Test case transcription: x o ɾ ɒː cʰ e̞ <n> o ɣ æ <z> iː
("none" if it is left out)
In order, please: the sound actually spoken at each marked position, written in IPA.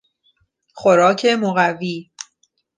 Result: m, v

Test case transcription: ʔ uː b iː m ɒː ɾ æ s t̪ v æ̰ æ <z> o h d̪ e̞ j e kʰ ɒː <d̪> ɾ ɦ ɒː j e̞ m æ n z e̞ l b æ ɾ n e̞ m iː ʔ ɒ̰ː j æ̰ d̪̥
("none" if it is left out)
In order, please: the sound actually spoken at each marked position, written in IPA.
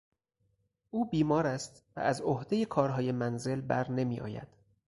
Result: z, none

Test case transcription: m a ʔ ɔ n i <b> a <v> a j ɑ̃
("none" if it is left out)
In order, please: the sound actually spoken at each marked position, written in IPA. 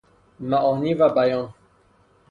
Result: v, b

